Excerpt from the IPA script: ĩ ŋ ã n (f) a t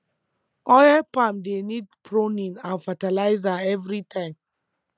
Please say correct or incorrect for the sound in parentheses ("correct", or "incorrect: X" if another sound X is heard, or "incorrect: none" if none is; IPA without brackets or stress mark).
correct